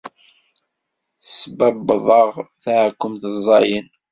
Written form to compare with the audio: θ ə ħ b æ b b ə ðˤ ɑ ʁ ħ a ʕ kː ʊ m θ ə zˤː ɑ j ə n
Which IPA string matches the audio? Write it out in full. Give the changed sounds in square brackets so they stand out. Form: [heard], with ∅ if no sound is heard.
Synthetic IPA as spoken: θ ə [s] b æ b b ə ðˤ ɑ ʁ [θ] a ʕ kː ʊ m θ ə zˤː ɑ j ə n